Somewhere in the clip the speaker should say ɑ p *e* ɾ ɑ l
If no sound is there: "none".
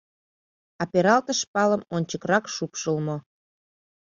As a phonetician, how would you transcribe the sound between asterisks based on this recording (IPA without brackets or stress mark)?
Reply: e